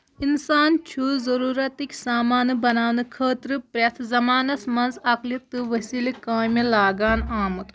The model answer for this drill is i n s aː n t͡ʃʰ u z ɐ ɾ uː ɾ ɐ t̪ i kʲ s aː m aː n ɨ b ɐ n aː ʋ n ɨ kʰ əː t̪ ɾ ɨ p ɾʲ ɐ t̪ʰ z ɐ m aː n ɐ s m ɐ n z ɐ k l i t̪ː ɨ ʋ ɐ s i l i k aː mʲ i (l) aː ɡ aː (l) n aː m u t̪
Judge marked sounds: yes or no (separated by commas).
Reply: yes, no